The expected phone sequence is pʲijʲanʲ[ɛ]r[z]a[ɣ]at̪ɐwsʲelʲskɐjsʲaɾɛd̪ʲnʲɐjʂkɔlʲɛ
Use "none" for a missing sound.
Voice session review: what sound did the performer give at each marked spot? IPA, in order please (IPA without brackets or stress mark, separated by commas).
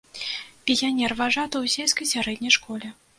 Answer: ɛ, v, ʐ